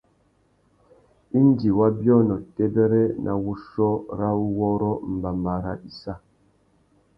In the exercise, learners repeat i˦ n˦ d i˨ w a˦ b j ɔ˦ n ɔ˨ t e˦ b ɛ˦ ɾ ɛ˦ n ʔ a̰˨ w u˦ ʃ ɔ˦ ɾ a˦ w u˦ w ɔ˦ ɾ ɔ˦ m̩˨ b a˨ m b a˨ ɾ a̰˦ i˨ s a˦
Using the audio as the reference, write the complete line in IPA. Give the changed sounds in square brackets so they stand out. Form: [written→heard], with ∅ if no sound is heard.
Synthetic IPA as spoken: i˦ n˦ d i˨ w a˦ b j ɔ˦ n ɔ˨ t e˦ b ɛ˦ ɾ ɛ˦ n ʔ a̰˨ w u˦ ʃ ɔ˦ ɾ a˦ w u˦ w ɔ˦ ɾ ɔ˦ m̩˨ b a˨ m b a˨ ɾ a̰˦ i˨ s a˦